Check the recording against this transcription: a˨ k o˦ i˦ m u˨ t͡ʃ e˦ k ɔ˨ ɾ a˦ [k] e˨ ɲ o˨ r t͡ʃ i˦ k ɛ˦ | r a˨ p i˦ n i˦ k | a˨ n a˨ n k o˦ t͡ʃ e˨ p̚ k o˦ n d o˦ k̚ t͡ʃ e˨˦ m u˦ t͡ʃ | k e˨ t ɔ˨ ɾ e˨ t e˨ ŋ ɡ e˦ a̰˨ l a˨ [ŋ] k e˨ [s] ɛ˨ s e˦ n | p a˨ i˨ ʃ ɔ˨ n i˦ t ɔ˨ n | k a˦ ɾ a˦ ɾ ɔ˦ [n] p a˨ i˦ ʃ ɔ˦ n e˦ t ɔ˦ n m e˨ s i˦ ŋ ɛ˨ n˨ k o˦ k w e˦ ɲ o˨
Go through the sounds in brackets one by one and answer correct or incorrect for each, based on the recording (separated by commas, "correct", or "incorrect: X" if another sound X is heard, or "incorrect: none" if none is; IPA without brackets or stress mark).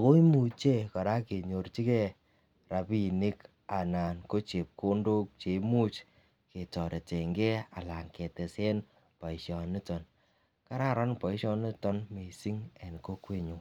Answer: correct, correct, incorrect: t, correct